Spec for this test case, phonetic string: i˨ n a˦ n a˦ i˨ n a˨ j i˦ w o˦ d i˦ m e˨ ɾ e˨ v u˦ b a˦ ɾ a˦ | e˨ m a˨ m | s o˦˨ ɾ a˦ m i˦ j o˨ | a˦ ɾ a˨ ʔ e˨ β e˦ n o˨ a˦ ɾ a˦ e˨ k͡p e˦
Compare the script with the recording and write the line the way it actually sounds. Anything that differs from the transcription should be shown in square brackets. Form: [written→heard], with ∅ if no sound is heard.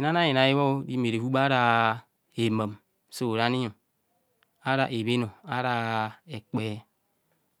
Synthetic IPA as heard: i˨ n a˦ n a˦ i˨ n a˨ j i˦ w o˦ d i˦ m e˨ ɾ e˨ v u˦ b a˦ ɾ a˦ | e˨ m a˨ m | s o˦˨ ɾ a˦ [m→n] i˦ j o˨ | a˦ ɾ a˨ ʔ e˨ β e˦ n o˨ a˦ ɾ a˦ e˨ k͡p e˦